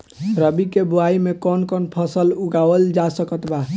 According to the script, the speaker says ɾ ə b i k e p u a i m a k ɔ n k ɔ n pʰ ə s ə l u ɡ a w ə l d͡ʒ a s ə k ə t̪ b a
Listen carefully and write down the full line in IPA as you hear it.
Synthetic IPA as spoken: ɾ ə b i k e b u a i m e k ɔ n k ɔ n pʰ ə s ə l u ɡ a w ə l d͡ʒ a s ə k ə t̪ b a